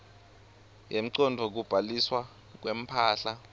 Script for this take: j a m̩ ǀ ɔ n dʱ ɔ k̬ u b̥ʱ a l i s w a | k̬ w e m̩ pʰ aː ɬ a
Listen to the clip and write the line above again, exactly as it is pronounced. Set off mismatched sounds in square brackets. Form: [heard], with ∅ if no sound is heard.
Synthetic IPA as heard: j [e] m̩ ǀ ɔ n dʱ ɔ k̬ u b̥ʱ a l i s w a | k̬ w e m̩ pʰ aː ɬ a